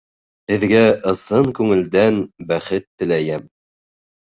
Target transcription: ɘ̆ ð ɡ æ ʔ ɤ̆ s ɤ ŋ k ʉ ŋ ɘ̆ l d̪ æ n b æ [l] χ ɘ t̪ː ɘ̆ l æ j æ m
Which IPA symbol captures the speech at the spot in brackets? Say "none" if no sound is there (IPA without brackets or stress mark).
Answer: none